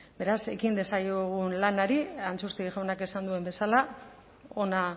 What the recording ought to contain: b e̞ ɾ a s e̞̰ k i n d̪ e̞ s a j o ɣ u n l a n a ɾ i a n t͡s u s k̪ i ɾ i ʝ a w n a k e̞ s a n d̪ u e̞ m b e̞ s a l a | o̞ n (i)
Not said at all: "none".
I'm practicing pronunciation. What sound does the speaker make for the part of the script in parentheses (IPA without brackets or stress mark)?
a